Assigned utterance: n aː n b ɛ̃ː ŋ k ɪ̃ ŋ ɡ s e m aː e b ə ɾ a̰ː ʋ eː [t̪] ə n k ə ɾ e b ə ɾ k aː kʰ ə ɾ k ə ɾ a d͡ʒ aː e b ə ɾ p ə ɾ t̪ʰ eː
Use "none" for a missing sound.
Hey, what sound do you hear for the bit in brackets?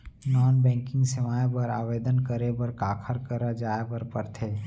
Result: d̪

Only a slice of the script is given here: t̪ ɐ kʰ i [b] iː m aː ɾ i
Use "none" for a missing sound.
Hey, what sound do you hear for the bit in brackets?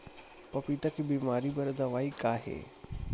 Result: b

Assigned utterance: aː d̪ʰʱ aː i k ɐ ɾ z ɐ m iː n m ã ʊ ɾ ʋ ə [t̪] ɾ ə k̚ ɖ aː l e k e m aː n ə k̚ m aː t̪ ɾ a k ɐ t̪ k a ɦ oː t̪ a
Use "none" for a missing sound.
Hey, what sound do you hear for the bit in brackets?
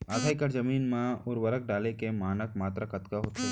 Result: none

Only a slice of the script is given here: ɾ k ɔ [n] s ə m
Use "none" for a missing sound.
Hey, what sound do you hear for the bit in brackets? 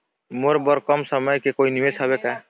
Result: m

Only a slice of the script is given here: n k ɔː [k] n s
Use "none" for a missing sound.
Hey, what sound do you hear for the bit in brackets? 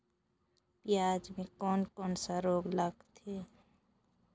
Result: none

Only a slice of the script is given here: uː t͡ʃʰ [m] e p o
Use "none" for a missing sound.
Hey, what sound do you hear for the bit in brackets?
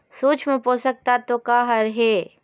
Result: m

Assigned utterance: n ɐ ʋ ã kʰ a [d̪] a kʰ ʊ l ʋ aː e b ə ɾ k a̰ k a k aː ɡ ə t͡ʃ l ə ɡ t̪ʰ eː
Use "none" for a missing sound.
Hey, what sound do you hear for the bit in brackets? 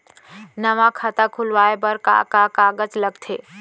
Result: t̪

